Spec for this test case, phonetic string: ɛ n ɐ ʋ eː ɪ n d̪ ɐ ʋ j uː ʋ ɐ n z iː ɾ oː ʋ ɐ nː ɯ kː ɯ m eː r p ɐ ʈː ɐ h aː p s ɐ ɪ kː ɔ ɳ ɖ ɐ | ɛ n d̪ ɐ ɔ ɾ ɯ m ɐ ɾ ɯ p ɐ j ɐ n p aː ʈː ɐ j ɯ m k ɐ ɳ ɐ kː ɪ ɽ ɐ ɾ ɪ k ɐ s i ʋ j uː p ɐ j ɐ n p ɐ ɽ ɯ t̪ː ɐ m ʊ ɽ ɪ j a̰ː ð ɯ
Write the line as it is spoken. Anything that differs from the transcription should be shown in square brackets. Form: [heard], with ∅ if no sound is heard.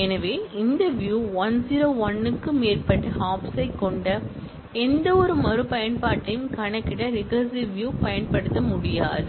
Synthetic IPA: ɛ n ɐ ʋ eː ɪ n d̪ ɐ ʋ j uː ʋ ɐ n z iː ɾ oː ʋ ɐ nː ɯ kː ɯ m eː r p ɐ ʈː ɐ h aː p s ɐ ɪ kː ɔ ɳ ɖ ɐ | ɛ n d̪ ɐ ɔ ɾ ɯ m ɐ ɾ ɯ p ɐ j ɐ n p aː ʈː ɐ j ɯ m k ɐ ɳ ɐ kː ɪ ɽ ɐ ɾ ɪ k ɐ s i ʋ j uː p ɐ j ɐ n p ɐ ɽ ɯ t̪ː ɐ m ʊ ɽ ɪ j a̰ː ð ɯ